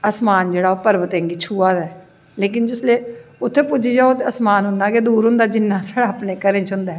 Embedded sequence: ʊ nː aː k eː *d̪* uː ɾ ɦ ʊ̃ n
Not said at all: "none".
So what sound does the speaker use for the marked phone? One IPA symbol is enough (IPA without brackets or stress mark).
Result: d̪